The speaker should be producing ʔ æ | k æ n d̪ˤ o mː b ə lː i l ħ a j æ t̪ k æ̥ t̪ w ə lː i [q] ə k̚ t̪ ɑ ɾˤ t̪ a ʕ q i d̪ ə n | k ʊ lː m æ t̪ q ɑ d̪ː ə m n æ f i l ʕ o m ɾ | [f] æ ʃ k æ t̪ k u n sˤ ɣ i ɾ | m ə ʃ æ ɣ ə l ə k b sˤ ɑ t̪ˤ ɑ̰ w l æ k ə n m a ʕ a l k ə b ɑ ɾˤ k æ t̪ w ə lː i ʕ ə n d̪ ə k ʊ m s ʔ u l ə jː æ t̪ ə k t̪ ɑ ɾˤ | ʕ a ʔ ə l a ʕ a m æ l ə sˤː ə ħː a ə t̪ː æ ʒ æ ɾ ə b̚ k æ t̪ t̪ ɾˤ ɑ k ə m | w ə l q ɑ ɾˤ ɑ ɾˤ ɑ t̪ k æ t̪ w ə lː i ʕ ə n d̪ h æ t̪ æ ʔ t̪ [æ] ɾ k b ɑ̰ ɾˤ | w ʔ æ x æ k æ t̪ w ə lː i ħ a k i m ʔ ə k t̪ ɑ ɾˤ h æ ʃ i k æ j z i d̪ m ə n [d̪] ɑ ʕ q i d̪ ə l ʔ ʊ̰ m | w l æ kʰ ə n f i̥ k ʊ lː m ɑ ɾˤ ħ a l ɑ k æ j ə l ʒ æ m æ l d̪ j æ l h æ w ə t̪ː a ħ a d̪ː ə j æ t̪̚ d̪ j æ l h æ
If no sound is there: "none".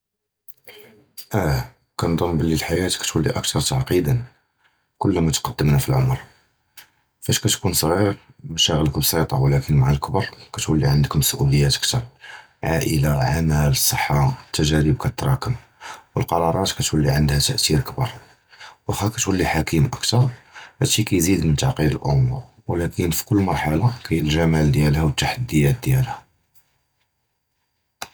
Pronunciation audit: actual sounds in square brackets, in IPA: ʔ, f, i, t̪

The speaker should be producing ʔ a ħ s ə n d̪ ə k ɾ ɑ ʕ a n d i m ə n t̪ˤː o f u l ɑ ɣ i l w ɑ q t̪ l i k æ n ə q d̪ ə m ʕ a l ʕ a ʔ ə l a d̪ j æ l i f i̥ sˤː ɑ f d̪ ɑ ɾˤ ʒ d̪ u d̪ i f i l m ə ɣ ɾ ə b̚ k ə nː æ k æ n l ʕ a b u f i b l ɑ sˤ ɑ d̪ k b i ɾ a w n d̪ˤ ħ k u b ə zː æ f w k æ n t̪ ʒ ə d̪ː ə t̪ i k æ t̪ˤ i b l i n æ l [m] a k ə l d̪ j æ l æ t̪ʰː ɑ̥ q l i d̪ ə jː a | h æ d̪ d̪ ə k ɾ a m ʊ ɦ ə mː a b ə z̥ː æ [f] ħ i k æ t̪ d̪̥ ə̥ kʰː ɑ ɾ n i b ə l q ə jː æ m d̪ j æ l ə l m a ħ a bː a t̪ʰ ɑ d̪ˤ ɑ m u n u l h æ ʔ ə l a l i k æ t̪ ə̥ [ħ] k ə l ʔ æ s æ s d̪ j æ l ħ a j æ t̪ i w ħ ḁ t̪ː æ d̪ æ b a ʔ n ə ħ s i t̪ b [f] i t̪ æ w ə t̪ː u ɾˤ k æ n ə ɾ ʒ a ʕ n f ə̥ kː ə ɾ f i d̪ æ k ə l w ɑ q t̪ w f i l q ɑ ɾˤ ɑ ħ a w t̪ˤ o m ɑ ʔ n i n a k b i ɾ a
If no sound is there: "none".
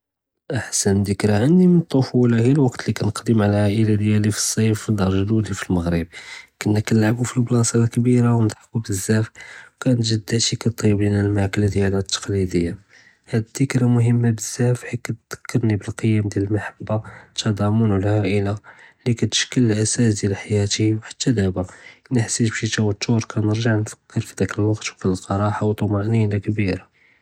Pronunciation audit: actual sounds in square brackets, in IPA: m, f, ʃ, ʃ

